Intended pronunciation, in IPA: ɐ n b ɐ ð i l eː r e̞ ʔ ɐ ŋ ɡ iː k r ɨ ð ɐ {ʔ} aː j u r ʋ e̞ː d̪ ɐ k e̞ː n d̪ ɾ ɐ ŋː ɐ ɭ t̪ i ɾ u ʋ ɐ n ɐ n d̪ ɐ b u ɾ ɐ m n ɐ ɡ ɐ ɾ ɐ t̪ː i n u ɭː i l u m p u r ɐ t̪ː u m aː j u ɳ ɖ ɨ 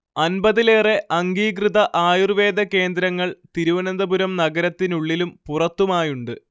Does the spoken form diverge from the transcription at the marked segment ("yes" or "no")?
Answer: no